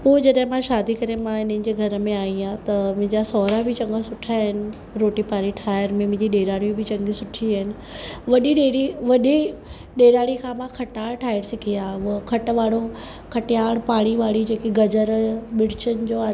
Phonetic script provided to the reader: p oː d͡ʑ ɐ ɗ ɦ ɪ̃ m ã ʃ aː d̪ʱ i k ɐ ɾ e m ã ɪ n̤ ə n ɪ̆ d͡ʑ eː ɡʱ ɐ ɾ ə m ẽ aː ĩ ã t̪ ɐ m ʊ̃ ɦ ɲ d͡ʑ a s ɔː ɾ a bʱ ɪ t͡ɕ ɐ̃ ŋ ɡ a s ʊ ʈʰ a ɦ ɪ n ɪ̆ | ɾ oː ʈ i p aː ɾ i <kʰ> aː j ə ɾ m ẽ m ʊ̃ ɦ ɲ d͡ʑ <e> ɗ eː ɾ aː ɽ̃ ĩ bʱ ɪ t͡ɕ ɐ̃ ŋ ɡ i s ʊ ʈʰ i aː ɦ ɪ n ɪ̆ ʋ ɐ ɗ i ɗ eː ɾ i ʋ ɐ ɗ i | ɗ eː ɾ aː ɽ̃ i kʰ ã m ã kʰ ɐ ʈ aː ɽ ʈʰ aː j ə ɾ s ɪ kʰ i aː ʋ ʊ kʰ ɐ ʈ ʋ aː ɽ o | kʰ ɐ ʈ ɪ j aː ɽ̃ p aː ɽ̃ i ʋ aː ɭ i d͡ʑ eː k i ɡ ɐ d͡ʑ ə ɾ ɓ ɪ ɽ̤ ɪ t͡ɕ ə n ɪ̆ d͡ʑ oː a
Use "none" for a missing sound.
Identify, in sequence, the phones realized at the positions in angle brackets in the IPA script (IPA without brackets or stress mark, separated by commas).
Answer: ʈʰ, i